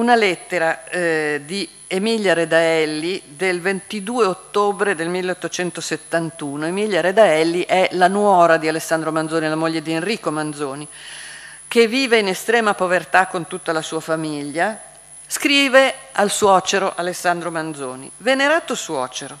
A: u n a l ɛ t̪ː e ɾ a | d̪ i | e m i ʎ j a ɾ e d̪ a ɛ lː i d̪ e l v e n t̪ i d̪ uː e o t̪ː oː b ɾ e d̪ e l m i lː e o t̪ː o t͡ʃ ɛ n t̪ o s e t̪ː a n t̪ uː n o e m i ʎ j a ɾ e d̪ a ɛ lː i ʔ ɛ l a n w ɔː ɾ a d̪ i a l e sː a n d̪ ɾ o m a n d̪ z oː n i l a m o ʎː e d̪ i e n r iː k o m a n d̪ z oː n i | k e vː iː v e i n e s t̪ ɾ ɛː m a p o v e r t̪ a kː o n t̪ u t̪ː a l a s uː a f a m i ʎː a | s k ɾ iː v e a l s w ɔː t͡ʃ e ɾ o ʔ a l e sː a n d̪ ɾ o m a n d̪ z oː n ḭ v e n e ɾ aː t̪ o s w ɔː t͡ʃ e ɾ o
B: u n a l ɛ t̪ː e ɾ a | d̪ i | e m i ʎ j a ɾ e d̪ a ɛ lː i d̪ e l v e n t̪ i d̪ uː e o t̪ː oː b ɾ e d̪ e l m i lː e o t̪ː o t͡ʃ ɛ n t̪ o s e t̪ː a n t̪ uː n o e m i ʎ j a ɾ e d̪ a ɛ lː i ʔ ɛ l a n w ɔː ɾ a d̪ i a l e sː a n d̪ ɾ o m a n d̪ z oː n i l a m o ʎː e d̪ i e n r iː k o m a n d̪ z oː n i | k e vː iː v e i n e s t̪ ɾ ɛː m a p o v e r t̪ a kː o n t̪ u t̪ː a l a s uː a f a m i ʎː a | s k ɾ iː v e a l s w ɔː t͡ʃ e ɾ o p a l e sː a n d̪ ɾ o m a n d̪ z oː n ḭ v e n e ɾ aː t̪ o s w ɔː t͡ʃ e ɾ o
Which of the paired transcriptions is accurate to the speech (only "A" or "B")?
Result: A